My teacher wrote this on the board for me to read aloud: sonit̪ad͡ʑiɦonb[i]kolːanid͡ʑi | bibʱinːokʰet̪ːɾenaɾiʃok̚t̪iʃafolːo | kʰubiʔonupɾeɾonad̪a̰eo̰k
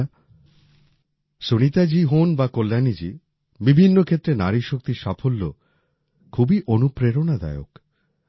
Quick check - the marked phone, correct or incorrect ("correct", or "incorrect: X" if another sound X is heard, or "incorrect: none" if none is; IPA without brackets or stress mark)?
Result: incorrect: a